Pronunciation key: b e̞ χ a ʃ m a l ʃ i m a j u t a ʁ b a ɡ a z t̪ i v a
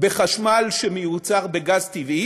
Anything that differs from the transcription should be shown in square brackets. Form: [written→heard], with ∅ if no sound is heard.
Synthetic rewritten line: b e̞ χ a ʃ m a l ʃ [i→e] m [a→e] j u [t→t͡s] a ʁ b [a→e] ɡ a z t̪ i v [a→i]